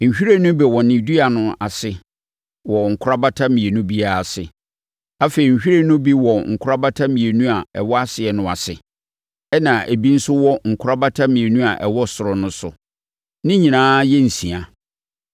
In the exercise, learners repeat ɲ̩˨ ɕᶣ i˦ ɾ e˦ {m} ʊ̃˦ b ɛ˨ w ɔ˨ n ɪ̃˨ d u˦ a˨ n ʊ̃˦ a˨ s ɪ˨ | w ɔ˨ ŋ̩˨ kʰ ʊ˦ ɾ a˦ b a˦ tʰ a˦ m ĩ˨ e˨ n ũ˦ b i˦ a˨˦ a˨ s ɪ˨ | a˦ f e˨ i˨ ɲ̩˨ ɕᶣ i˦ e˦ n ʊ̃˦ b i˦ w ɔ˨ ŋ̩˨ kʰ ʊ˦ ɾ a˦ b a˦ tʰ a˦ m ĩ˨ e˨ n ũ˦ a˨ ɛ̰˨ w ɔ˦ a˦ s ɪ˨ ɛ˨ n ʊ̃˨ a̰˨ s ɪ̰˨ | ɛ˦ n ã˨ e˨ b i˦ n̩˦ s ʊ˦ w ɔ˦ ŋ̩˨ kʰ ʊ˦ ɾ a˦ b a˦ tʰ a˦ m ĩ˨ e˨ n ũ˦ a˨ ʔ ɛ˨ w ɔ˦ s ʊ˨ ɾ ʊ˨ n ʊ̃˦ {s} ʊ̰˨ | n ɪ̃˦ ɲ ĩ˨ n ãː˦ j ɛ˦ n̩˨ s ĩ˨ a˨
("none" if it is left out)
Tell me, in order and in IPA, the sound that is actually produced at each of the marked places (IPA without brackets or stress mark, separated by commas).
n, s